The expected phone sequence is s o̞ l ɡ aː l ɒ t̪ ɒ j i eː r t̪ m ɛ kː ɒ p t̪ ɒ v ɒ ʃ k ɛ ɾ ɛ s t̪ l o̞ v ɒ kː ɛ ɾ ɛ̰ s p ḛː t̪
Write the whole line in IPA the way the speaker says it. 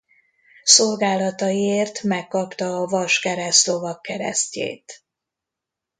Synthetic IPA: s o̞ l ɡ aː l ɒ t̪ ɒ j i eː r t̪ m ɛ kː ɒ p t̪ ɒː v ɒ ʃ k ɛ ɾ ɛ s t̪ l o̞ v ɒ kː ɛ ɾ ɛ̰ s c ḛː t̪